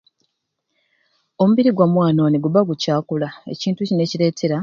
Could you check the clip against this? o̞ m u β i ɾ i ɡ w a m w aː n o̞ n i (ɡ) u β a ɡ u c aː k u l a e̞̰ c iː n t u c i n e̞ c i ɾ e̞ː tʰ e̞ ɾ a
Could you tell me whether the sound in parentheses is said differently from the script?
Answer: no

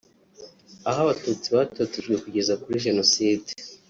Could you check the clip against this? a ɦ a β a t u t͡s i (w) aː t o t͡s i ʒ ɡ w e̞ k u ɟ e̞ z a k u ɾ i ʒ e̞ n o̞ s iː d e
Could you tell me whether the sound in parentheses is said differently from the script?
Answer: yes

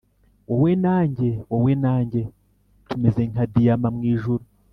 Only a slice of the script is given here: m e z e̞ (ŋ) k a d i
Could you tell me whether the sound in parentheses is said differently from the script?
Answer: no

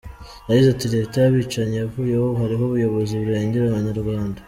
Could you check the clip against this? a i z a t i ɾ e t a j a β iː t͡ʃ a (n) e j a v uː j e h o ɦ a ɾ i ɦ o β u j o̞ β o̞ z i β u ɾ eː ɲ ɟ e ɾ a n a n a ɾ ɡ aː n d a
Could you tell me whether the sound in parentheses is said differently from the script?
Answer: yes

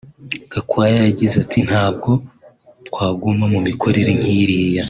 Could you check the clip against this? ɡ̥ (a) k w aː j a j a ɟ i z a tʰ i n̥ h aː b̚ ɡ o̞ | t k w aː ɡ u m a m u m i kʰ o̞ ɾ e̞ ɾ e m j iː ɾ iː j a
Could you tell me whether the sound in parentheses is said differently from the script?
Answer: no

